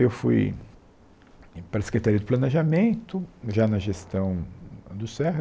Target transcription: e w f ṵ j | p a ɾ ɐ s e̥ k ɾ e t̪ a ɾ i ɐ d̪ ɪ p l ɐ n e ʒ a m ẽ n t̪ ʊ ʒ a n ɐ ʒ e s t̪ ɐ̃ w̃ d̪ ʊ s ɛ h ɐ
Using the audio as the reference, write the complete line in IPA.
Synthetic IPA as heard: e w f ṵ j | p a ɾ ɐ s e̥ k ɾ e t̪ a ɾ i ɐ d̪ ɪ p l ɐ n e ʒ a m ẽ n t̪ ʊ ʒ a n ɐ ʒ e s t̪ ɐ̃ w̃ d̪ ʊ s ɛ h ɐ